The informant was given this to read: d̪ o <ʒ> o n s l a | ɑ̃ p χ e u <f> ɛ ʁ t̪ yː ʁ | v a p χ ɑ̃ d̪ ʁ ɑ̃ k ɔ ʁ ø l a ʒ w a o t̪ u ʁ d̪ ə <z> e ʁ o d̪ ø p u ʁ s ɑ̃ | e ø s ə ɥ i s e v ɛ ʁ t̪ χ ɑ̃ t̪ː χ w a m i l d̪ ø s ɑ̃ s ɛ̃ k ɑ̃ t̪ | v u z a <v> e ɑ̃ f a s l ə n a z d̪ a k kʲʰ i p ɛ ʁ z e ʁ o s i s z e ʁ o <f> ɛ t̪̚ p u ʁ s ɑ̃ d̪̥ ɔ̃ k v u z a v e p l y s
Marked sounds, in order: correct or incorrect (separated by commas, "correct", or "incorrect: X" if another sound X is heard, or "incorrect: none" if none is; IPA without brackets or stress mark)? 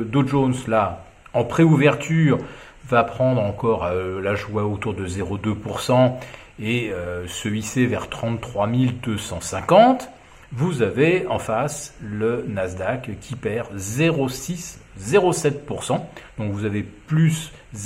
correct, incorrect: v, correct, correct, incorrect: s